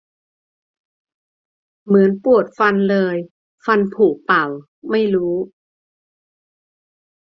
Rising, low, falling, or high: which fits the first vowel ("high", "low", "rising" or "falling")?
rising